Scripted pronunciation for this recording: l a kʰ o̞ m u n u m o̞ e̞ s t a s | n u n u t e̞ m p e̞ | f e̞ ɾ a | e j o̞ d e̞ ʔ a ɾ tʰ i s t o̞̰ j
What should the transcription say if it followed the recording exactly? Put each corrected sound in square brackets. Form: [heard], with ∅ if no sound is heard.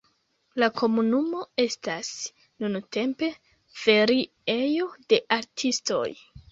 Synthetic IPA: l a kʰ o̞ m u n u m o̞ e̞ s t a s | n u n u t e̞ m p e̞ | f e̞ ɾ [i] | e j o̞ d e̞ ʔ a ɾ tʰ i s t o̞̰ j